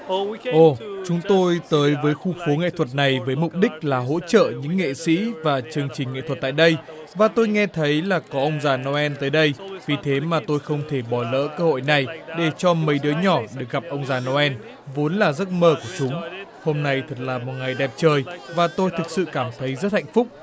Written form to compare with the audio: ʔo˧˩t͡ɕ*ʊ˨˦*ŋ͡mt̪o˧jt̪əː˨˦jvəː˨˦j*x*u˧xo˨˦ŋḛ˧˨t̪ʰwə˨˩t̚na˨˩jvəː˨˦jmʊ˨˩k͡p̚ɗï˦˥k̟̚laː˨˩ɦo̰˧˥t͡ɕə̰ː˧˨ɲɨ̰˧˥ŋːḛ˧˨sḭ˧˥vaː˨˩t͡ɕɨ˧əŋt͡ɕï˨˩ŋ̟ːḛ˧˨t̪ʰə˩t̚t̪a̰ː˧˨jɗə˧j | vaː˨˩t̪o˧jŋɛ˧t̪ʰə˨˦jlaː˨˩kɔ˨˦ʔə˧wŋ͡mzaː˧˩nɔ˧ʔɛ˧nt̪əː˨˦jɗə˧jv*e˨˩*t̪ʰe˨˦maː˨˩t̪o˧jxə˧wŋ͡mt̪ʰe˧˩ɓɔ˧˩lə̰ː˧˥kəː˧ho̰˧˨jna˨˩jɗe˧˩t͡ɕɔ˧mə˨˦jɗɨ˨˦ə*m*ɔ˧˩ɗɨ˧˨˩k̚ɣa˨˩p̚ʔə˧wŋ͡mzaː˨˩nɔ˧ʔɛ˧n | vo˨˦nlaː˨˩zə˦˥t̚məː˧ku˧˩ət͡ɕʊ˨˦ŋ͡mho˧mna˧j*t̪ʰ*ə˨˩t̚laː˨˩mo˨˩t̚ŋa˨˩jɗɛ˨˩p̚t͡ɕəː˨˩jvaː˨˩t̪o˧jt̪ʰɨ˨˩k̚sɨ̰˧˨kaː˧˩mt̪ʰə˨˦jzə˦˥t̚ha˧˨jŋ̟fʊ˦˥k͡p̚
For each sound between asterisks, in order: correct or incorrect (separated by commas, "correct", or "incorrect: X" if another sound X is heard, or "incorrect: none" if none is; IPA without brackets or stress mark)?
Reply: correct, correct, incorrect: i˨˩, incorrect: ɲ, correct